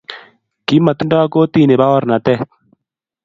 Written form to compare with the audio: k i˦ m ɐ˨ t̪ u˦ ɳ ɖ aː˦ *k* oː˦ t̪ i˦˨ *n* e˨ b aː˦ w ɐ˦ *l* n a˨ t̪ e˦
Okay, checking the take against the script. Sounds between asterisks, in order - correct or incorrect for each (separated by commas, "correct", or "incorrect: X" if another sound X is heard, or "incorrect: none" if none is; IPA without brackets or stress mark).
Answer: correct, correct, incorrect: ɾ